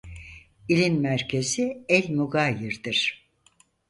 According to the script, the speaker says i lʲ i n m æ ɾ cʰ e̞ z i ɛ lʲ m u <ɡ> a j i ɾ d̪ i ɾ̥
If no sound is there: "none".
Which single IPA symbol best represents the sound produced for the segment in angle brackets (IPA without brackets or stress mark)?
ɡ